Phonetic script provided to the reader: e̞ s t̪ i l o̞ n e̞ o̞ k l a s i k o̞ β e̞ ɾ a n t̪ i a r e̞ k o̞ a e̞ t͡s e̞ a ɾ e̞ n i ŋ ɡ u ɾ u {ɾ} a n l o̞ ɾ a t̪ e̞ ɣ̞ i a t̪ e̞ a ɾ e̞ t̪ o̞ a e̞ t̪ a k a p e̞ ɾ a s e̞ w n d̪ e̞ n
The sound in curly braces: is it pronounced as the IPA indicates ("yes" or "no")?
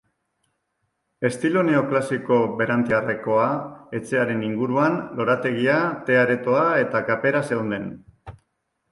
no